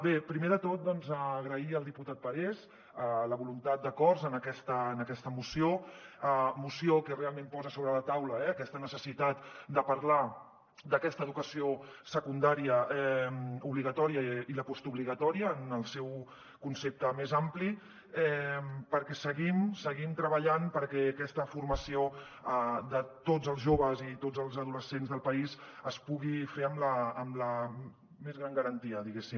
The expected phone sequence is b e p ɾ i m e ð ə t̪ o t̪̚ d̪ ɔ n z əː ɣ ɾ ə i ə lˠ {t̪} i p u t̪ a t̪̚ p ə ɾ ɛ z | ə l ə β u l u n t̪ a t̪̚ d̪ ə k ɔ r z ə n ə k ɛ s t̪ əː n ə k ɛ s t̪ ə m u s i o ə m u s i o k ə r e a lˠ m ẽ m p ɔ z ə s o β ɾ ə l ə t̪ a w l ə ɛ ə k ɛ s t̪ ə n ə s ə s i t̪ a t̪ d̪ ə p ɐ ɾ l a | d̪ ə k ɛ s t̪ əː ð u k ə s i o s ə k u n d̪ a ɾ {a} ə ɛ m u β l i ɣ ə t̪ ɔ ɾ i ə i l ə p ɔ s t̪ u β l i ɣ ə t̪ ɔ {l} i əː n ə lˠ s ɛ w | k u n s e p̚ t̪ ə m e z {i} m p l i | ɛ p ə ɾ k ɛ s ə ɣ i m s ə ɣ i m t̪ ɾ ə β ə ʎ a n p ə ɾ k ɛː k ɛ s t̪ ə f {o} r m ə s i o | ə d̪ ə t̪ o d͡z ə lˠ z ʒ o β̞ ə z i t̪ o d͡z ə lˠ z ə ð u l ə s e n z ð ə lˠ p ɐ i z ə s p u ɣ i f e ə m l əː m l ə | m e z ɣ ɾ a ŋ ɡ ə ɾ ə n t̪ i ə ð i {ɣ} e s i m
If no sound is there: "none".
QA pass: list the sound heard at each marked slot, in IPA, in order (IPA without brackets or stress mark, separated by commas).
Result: d̪, i, ɾ, a, u, ɣ